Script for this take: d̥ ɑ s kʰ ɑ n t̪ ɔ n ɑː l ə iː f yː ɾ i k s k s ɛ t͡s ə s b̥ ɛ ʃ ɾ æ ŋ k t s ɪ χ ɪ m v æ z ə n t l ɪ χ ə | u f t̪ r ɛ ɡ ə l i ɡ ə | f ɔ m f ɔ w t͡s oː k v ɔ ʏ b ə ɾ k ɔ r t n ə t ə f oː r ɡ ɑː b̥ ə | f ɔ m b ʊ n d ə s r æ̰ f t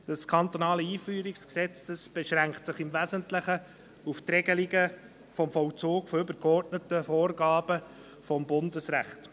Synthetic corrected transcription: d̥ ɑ s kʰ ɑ n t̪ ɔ n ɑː l ə iː f yː ɾ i k s k s ɛ t͡s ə s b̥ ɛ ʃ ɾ æ ŋ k t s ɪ χ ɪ m v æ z ə n t l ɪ χ ə | u f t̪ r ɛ ɡ ə l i ɡ ə | f ɔ m f ɔ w t͡s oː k f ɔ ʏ b ə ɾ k ɔ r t n ə t ə f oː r ɡ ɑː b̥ ə | f ɔ m b ʊ n d ə s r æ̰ χ t

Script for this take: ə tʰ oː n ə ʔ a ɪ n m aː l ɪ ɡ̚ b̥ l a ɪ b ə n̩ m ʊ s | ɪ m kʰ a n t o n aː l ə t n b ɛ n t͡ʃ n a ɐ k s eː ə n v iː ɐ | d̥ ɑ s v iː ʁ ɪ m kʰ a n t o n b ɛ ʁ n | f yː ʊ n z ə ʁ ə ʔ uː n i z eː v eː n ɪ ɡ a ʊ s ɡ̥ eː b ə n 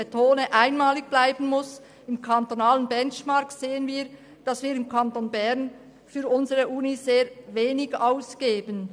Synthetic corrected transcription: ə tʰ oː n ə ʔ a ɪ n m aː l ɪ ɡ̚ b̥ l a ɪ b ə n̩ m ʊ s | ɪ m kʰ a n t o n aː l ə n b ɛ n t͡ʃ m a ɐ k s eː ə n v iː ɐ | d̥ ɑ s v iː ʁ ɪ m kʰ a n t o n b ɛ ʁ n | f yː ʊ n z ə ʁ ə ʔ uː n i z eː v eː n ɪ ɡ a ʊ s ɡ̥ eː b ə n

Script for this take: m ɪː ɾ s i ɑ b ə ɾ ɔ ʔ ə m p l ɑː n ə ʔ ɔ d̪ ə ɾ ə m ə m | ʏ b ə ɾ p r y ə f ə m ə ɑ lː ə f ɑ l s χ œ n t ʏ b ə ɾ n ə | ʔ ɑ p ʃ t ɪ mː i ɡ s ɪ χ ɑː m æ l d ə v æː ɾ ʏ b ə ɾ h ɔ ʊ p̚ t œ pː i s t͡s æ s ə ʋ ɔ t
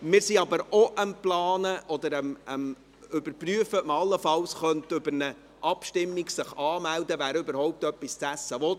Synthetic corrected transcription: m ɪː ɾ s i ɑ b ə ɾ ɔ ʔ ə m p l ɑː n ə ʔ ɔ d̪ ə ɾ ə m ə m | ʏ b ə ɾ p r y ə f ə m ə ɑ lː ə f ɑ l s χ œ n t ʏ b ə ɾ n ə | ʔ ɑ p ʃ t ɪ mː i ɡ s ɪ χ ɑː m æ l d ə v æː ɾ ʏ b ə ɾ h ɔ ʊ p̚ t œ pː i s t͡s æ s ə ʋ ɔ t

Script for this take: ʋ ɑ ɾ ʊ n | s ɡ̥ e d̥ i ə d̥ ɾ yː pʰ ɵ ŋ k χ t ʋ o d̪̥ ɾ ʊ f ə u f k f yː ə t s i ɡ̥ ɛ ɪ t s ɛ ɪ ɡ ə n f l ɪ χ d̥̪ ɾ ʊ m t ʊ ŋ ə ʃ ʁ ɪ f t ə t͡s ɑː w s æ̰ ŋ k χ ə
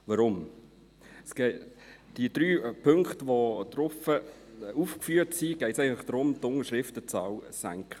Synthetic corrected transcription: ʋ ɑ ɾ ʊ m | s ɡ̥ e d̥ i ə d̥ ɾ yː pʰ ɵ ŋ k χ t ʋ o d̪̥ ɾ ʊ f ə u f k f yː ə t s i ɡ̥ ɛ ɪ t s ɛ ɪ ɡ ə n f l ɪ χ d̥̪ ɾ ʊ m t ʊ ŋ ə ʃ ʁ ɪ f t ə t͡s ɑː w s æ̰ ŋ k χ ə

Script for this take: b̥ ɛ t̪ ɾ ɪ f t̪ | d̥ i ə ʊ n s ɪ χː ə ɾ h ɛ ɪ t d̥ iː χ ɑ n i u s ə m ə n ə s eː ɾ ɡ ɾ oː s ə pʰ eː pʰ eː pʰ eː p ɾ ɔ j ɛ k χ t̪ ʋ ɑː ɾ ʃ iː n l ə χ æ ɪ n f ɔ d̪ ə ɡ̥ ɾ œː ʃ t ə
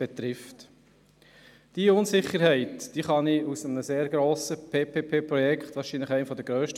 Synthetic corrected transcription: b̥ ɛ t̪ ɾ ɪ f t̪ | d̥ i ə ʊ n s ɪ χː ə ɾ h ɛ ɪ t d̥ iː χ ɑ n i u s ə m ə n ə s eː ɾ ɡ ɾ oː s ə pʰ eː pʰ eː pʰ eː p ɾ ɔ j ɛ k χ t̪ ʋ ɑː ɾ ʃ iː n l ə χ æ ɪ n f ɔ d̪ ə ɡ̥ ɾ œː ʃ t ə

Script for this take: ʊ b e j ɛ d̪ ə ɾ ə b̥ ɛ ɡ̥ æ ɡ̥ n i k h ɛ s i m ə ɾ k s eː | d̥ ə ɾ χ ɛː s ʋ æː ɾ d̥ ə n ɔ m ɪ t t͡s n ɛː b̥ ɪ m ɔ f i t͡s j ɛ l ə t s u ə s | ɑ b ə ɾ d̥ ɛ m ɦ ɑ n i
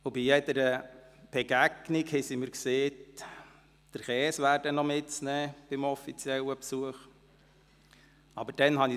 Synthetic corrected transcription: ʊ b i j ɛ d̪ ə ɾ ə b̥ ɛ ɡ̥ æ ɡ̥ n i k h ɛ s i m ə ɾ k s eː | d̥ ə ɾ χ ɛː s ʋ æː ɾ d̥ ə n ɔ m ɪ t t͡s n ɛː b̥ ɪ m ɔ f i t͡s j ɛ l ə p s u ə χ | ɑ b ə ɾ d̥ ɛ n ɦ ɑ n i

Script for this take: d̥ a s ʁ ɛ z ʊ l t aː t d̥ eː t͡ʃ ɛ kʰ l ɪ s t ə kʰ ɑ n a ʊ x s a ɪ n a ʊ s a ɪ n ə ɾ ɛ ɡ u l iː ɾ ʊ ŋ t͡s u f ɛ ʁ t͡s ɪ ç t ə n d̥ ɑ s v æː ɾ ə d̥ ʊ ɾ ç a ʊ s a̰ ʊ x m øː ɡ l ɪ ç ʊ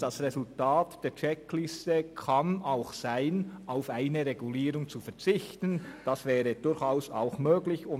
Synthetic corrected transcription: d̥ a s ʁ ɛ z ʊ l t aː t d̥ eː t͡ʃ ɛ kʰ l ɪ s t ə kʰ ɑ n a ʊ x s a ɪ n a ʊ f a ɪ n ə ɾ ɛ ɡ u l iː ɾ ʊ ŋ t͡s u f ɛ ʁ t͡s ɪ ç t ə n d̥ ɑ s v ɛː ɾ ə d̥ ʊ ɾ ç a ʊ s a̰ ʊ x m øː ɡ l ɪ ç ʊ

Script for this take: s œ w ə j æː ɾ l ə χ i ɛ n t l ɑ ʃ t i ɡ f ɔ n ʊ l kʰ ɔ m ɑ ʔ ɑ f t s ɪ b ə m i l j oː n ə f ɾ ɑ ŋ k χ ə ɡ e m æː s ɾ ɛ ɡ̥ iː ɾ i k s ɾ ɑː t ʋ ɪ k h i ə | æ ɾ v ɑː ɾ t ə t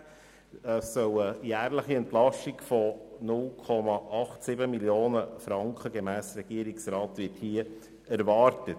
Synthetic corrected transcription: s œ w ə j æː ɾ l ə χ i ɛ n t l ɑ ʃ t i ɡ f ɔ n ʊ l kʰ ɔ m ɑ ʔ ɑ χ t s ɪ b ə m i l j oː n ə f ɾ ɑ ŋ k χ ə ɡ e m æː s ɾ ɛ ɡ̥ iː ɾ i k s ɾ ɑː t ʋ ɪ t h i ə | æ ɾ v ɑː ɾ t ə t

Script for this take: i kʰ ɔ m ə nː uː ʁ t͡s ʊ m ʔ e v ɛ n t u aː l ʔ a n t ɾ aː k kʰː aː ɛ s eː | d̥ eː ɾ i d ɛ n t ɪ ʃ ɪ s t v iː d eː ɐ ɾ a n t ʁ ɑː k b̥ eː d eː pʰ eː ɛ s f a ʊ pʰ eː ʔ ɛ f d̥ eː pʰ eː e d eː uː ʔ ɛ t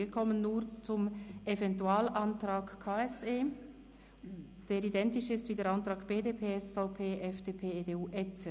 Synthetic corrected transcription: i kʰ ɔ m ə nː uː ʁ t͡s ʊ m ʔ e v ɛ n t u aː l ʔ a n t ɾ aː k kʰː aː ɛ s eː | d̥ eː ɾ i d ɛ n t ɪ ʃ ɪ s t v iː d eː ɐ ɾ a n t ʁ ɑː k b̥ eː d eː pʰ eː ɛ s f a ʊ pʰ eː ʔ ɛ f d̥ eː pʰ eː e d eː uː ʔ ɛ t

